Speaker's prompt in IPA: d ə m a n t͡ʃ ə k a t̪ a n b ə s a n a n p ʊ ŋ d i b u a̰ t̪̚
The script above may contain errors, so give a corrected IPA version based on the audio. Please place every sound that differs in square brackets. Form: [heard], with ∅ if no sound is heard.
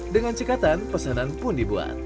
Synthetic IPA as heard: d ə [ŋ] a n t͡ʃ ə k a t̪ a n [p] ə s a n a n p ʊ [n] d i b u a̰ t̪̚